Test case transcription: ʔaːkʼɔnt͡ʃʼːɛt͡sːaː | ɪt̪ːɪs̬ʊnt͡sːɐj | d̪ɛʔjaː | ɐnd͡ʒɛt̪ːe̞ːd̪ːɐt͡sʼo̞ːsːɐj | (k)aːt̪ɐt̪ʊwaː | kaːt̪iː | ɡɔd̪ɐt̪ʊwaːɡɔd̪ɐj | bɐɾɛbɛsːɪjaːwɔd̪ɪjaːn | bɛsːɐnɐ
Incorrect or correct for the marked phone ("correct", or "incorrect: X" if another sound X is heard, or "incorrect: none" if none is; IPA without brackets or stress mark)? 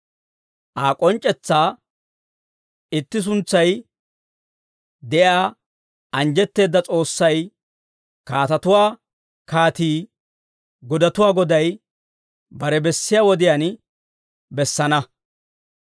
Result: correct